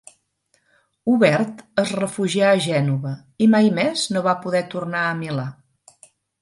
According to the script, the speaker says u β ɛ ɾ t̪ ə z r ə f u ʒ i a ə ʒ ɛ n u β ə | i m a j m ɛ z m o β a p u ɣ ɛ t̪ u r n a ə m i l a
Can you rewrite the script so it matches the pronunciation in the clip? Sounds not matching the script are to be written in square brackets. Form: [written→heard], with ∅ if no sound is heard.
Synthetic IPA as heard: u β ɛ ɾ t̪ ə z r ə f u ʒ i a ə ʒ ɛ n u β ə | i m a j m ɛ z [m→n] o β a p u [ɣ→ð] ɛ t̪ u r n a ə m i l a